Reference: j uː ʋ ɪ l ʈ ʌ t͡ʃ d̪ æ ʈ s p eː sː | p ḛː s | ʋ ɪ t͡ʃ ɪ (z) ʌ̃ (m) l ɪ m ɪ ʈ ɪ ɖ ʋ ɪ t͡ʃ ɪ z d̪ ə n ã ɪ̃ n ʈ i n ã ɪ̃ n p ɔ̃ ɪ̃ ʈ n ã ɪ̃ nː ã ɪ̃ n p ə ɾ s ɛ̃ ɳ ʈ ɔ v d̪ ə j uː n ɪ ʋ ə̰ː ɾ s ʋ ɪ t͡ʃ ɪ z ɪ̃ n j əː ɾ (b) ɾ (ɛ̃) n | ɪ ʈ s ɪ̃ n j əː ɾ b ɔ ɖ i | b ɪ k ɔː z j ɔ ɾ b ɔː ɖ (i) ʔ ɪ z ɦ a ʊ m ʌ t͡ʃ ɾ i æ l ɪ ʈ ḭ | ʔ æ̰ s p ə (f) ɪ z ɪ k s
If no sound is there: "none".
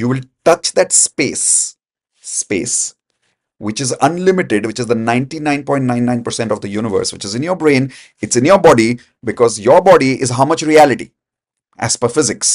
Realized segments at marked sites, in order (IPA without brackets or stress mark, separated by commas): z, n, b, ẽ, i, f